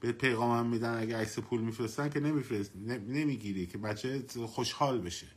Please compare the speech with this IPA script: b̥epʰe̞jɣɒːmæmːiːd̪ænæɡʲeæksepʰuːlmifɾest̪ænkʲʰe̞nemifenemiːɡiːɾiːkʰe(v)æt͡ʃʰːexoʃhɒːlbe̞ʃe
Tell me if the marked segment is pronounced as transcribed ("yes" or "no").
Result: no